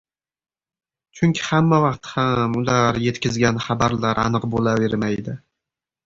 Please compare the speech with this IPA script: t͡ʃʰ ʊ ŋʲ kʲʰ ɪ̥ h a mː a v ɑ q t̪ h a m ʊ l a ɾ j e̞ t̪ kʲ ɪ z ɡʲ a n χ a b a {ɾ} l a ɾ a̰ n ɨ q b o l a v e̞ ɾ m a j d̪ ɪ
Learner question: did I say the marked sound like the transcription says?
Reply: yes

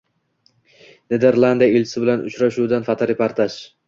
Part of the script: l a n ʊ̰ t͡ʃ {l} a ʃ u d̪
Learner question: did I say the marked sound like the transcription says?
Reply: no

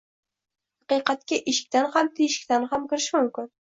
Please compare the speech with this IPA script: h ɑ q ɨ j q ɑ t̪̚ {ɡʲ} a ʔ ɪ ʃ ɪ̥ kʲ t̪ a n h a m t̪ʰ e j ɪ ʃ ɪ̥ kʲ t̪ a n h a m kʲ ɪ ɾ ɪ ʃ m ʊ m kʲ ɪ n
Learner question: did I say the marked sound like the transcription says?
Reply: no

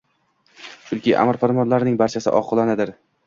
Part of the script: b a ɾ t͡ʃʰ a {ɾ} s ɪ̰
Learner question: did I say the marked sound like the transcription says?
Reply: no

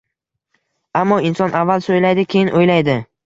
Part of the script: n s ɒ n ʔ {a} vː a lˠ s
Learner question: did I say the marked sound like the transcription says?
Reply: yes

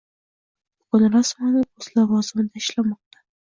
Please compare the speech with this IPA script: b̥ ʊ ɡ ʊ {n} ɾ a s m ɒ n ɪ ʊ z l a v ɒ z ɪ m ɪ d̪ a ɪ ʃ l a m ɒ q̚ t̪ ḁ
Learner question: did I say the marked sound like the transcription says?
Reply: yes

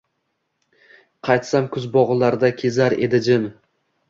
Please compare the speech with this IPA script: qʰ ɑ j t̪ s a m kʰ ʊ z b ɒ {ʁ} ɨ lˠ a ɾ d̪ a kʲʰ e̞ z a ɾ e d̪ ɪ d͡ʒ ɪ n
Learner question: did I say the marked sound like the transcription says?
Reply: yes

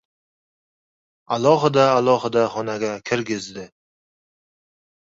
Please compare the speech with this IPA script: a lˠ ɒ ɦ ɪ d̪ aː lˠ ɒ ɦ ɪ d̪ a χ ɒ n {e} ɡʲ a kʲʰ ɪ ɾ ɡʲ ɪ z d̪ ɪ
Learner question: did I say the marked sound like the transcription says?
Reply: no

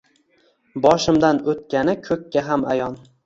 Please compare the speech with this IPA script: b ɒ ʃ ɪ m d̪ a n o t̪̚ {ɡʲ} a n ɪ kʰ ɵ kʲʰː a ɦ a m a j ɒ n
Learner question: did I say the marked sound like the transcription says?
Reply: no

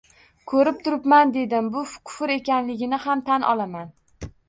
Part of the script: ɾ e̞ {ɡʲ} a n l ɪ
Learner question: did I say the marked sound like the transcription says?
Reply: no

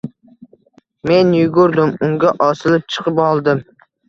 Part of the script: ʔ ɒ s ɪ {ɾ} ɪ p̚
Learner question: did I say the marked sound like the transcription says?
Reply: no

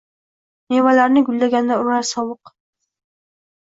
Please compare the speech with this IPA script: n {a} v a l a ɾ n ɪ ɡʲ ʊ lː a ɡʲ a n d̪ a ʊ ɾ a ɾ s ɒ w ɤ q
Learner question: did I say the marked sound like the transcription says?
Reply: no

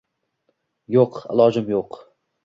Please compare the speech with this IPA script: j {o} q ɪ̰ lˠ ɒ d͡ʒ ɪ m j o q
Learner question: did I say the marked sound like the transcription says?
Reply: yes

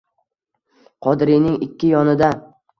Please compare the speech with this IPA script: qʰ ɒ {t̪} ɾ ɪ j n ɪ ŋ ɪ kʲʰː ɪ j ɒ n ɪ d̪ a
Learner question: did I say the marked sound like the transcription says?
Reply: no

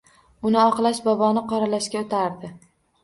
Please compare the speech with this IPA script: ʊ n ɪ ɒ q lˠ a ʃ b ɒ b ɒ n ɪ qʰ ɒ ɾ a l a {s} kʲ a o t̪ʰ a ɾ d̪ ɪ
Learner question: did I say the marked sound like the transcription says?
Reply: no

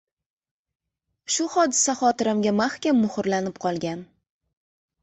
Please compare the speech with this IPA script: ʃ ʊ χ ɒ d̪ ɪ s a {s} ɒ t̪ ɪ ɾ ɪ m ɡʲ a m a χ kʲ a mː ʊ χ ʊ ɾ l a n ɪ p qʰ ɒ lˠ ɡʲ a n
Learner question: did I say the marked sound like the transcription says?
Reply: no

